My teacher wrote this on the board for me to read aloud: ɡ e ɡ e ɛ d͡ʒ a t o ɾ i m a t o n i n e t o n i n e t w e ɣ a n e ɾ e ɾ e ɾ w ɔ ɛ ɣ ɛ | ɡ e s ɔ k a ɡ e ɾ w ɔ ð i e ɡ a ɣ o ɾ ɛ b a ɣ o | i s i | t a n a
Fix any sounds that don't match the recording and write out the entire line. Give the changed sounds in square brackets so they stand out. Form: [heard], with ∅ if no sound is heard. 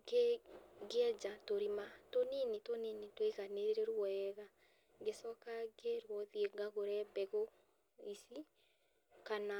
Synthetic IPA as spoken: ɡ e ɡ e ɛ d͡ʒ a t o ɾ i m a t o n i n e t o n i n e t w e ɣ a n e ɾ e ɾ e ɾ w ɔ ɛ ɣ [a] | ɡ e s ɔ k a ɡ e ɾ w ɔ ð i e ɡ a ɣ o ɾ ɛ b [ɛ] ɣ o | i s i | [k] a n a